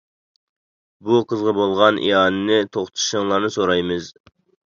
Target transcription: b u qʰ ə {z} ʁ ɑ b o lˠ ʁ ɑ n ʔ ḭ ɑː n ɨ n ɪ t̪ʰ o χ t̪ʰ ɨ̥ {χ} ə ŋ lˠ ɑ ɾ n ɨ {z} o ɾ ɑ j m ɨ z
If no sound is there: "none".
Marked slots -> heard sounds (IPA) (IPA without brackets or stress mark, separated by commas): z, ʃ, s